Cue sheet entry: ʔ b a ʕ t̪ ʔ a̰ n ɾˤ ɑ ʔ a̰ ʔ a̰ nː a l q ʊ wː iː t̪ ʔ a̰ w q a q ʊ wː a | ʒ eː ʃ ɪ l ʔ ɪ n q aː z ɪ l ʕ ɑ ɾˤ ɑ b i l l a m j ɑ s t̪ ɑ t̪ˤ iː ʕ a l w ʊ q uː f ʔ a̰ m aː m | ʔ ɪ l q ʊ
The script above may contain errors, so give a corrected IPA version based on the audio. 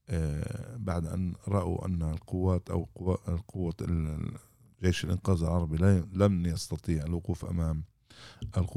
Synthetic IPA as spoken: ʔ b a ʕ d̪ ʔ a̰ n ɾˤ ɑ ʔ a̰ ʔ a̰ nː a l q ʊ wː aː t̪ ʔ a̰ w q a q ʊ wː a | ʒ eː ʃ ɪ l ʔ ɪ n q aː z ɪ l ʕ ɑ ɾˤ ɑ b i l l a m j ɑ s t̪ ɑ t̪ˤ iː ʕ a l w ʊ q uː f ʔ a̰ m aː m | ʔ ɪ l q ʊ